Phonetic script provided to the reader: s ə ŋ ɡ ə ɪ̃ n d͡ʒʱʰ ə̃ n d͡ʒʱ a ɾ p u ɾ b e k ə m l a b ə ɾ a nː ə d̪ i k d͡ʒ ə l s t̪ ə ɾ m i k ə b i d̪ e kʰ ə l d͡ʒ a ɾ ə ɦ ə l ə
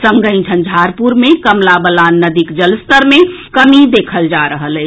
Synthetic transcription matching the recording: s ə ŋ ɡ ə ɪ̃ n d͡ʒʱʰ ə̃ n d͡ʒʱ a ɾ p u ɾ m e k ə m l a b ə l a nː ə d̪ i k d͡ʒ ə l s t̪ ə ɾ m e k ə m i d̪ e kʰ ə l d͡ʒ a ɾ ə ɦ ə l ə